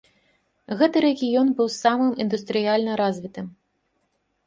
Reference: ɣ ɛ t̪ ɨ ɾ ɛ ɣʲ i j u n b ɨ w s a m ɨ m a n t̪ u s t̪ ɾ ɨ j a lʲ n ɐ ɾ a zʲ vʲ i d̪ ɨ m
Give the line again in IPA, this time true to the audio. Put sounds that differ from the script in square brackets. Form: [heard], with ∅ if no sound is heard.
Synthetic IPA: ɣ ɛ t̪ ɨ ɾ ɛ ɣʲ i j [ɔ] n b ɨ w s a m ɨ m [i] n [d̪] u s t̪ ɾ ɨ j a lʲ n ɐ ɾ a zʲ vʲ i [t̪] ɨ m